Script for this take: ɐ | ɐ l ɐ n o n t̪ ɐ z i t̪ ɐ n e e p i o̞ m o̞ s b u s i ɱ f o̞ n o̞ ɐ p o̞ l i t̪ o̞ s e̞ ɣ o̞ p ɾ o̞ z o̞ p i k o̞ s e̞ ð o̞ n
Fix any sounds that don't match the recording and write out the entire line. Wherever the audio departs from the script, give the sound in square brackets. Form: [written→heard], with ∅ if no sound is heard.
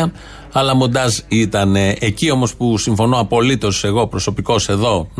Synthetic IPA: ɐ | ɐ l ɐ [n→m] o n [t̪→d̪] ɐ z i t̪ ɐ n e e [p→c] i o̞ m o̞ s [b→p] u s i ɱ f o̞ n o̞ ɐ p o̞ l i t̪ o̞ s e̞ ɣ o̞ p ɾ o̞ [z→s] o̞ p i k o̞ s e̞ ð o̞ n